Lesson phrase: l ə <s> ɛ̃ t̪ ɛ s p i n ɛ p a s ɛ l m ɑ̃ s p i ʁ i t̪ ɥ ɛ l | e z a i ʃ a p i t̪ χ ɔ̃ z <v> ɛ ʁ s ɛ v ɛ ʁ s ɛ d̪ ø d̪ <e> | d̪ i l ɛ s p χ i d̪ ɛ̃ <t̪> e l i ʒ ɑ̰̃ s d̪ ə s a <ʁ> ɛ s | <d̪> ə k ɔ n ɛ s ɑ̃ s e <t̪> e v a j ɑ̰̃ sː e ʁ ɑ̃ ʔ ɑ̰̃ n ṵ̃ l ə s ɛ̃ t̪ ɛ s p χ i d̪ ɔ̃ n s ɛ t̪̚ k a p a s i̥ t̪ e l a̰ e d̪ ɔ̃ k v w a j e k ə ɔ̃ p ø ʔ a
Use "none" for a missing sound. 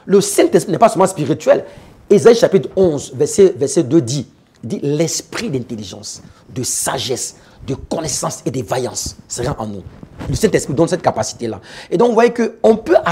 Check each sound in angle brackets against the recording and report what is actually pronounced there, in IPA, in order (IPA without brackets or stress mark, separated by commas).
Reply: s, v, i, t̪, ʒ, d̪, d̪